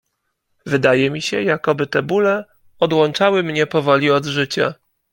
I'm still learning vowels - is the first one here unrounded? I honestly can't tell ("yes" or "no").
yes